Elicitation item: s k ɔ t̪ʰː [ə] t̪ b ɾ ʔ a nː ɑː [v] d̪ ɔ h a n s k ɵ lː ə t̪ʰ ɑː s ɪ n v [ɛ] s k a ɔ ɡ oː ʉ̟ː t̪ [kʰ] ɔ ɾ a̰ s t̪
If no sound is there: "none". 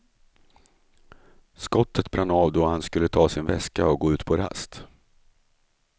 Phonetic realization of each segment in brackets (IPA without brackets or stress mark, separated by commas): ə, v, ɛ, pʰ